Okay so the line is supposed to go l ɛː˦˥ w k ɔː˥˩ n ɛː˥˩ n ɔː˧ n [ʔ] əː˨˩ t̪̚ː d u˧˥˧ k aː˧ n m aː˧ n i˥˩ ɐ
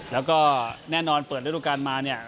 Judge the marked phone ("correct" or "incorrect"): incorrect